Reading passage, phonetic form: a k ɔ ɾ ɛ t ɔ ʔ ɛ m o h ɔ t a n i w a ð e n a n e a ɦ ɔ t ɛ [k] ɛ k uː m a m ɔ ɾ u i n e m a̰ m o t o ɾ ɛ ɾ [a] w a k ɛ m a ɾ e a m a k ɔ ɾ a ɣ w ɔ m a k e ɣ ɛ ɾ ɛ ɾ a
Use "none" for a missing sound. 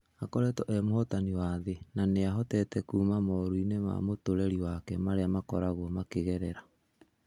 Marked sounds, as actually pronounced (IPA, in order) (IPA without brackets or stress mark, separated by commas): t, i